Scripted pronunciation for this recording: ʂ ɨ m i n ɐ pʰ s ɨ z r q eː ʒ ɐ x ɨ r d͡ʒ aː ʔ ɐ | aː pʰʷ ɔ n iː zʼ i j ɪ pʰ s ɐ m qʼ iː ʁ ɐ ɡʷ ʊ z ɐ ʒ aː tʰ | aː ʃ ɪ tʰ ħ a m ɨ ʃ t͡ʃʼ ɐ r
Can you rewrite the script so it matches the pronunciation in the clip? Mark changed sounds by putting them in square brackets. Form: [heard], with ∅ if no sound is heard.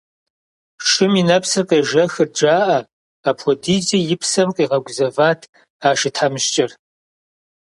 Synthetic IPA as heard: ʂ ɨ m i n ɐ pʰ s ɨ [∅] r q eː ʒ ɐ x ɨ r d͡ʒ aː ʔ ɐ | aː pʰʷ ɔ [d] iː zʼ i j ɪ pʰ s ɐ m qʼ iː ʁ ɐ ɡʷ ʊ z ɐ [v] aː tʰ | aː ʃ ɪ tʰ ħ a m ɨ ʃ t͡ʃʼ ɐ r